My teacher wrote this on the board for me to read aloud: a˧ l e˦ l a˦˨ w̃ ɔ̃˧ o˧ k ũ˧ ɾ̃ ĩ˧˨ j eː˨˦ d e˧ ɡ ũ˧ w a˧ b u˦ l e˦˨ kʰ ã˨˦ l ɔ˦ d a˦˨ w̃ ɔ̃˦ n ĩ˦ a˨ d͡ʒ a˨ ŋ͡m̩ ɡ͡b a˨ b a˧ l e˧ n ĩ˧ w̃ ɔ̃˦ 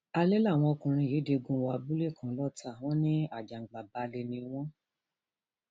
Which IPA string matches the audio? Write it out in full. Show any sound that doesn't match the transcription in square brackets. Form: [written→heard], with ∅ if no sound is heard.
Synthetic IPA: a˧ l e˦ l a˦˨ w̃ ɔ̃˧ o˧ k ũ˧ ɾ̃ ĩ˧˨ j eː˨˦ d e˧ ɡ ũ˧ w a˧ b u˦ l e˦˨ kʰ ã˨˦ l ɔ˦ [d→t] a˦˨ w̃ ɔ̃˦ n ĩ˦ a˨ d͡ʒ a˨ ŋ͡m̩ ɡ͡b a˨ b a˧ l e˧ n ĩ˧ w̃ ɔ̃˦